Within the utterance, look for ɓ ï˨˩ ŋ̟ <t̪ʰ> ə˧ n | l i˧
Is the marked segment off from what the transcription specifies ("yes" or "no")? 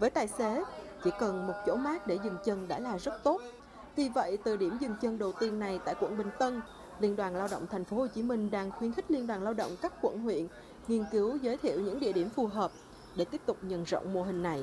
yes